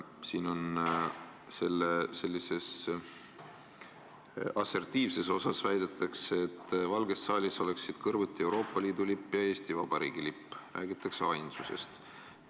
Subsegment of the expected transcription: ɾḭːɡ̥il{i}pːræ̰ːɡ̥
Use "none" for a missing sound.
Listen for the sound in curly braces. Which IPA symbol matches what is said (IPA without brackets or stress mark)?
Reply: i